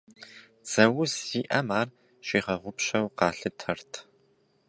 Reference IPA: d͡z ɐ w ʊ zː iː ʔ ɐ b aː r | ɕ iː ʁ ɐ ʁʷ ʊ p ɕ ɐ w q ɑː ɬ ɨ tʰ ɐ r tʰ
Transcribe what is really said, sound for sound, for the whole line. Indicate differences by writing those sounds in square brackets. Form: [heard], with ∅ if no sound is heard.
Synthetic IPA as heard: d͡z ɐ w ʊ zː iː ʔ ɐ [m] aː r | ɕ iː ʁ ɐ ʁʷ ʊ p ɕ ɐ w q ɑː ɬ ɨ tʰ ɐ r tʰ